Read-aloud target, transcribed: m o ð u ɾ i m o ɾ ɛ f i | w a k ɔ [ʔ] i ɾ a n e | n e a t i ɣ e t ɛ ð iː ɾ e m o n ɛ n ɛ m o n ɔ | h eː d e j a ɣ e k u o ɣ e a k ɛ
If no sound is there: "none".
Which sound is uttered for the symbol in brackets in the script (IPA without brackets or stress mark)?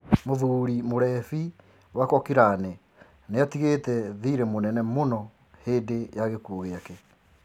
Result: k